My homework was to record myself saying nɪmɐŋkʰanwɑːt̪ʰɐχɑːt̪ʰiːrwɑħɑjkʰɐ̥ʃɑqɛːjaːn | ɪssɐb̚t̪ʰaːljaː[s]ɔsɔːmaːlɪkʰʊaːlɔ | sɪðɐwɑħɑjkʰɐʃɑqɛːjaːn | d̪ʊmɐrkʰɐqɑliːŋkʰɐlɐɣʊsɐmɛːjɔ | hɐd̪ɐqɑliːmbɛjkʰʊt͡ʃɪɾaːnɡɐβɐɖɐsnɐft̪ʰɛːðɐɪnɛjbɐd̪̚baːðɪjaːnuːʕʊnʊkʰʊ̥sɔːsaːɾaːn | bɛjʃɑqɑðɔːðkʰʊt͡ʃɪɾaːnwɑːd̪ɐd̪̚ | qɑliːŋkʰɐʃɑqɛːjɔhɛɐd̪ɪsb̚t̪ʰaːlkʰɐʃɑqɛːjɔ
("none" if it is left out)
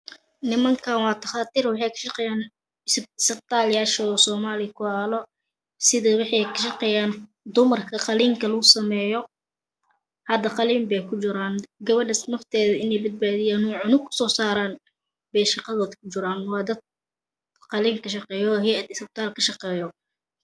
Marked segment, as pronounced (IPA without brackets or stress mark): ʃ